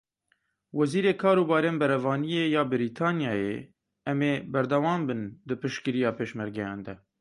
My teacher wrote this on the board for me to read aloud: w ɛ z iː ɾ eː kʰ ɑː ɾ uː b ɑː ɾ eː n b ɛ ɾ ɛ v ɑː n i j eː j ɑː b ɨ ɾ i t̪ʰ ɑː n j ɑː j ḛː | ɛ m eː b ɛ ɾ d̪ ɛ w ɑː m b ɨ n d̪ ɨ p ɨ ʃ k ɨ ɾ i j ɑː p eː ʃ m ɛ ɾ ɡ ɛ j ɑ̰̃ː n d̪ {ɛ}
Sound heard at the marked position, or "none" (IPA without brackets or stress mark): ɛ